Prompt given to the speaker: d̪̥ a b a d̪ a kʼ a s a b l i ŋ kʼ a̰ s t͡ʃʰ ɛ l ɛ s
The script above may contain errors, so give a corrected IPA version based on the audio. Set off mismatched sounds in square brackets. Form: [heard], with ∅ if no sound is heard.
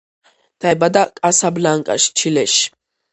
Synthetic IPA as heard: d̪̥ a b a d̪ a kʼ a s a b l [a] ŋ kʼ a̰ [ʃ] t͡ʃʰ [i] l ɛ [ʃ]

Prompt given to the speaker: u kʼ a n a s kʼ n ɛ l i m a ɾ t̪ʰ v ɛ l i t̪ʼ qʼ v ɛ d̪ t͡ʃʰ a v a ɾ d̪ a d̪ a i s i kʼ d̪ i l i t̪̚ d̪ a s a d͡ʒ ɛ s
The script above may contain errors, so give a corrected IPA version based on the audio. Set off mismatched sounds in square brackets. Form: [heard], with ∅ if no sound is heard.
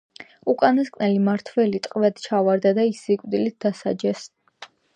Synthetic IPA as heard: u kʼ a n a s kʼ n ɛ l i m a ɾ t̪ʰ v ɛ l i t̪ʼ qʼ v ɛ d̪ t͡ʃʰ a v a ɾ d̪ a d̪ a i s i kʼ d̪ i l i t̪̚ d̪ a s a d͡ʒ ɛ s

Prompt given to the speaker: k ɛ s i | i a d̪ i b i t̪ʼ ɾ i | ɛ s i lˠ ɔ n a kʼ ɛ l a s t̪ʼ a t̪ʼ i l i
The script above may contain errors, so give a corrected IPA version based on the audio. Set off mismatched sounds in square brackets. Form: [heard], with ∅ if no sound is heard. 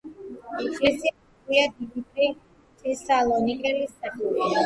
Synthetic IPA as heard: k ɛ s i | i a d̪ i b i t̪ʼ ɾ i | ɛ s [a] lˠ ɔ n [i] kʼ ɛ l [i] s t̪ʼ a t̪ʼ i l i

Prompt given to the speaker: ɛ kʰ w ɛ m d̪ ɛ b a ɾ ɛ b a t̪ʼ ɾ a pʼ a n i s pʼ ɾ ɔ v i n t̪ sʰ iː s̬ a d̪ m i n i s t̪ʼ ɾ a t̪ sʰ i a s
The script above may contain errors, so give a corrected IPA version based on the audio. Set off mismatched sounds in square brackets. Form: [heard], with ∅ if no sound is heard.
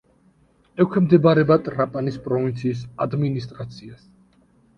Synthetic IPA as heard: ɛ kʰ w ɛ m d̪ ɛ b a ɾ ɛ b a t̪ʼ ɾ a pʼ a n i s pʼ ɾ ɔ v i n t̪ sʰ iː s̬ a d̪ m i n i s t̪ʼ ɾ a t̪ sʰ i a s

